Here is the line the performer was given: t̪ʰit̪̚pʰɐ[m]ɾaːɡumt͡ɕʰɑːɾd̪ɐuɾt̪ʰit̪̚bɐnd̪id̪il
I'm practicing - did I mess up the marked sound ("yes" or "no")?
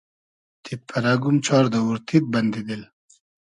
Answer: yes